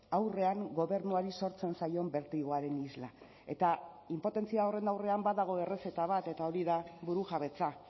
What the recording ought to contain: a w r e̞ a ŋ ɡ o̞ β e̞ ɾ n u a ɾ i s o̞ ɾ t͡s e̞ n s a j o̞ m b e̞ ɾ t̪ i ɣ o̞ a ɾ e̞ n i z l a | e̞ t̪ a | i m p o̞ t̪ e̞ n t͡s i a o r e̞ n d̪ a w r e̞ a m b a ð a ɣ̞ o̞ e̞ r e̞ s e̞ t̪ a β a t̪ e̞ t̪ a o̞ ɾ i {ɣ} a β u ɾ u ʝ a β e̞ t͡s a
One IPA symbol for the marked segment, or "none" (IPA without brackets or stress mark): ð